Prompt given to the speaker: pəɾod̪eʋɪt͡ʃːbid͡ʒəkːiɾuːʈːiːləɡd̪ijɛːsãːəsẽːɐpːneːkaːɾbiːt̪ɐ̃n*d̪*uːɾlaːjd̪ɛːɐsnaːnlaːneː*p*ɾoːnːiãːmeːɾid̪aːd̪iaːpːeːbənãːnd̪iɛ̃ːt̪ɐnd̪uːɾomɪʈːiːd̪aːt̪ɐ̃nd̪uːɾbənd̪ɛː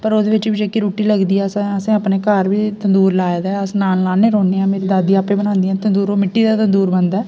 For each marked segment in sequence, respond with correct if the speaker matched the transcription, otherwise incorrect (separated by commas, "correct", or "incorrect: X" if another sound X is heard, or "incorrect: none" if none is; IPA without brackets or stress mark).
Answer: correct, incorrect: none